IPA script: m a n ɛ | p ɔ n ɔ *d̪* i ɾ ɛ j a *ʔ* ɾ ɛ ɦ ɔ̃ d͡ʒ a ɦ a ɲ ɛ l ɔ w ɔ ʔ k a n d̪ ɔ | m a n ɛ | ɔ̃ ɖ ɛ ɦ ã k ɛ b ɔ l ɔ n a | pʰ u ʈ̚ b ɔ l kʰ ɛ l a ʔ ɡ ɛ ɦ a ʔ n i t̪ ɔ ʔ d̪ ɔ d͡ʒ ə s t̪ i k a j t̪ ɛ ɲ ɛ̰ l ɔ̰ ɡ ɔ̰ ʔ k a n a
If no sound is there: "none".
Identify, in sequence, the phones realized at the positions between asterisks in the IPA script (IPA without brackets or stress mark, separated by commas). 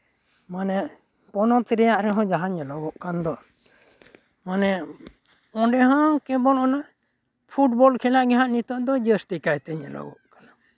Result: t̪, ʔ